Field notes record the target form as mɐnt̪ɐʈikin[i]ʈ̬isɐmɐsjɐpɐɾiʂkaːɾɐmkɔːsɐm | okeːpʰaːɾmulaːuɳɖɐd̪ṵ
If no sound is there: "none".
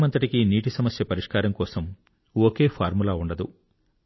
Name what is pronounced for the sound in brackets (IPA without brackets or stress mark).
iː